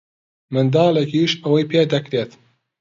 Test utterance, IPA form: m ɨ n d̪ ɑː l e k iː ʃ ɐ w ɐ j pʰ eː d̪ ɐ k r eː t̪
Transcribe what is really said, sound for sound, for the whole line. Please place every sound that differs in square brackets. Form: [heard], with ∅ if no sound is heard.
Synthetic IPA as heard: m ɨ n d̪ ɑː l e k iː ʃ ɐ w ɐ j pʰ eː d̪ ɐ k [ɾ] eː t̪